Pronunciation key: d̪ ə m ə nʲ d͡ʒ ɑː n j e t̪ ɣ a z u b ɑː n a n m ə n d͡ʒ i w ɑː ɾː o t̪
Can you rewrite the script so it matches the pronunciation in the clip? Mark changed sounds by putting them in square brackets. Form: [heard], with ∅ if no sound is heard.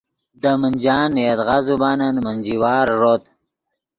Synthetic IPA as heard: d̪ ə m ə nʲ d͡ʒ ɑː n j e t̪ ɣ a z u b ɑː n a n m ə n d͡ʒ i w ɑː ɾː o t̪